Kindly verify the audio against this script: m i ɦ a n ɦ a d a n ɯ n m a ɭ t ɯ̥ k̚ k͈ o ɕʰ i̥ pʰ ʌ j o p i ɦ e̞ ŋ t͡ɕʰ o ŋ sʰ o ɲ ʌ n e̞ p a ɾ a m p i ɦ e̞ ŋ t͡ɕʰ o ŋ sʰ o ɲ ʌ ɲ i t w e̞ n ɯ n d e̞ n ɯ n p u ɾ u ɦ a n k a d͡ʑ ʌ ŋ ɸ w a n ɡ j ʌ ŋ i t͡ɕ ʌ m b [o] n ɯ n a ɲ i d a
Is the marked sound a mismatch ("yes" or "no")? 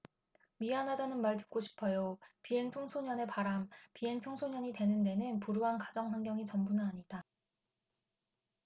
yes